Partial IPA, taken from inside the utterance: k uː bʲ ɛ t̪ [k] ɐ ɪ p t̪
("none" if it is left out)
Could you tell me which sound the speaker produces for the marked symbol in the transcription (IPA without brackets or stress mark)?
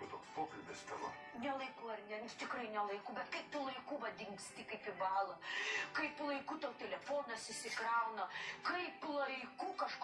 k